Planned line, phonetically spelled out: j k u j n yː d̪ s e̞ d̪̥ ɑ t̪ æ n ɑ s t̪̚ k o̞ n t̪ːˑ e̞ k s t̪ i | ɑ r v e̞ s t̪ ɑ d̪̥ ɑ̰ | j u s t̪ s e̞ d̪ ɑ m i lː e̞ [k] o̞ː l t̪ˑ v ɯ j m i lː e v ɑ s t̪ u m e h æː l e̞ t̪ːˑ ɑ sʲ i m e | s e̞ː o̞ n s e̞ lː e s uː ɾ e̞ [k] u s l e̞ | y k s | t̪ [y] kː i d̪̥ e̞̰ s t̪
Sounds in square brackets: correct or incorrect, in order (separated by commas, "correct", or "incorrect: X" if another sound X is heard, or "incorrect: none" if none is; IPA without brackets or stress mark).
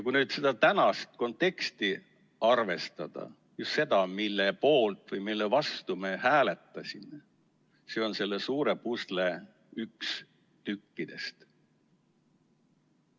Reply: incorrect: p, incorrect: p, correct